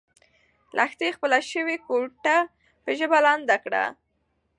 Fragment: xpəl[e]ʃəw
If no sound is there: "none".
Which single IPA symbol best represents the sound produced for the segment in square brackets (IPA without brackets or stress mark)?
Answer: a